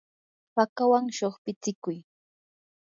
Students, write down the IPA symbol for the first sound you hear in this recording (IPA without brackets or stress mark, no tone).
p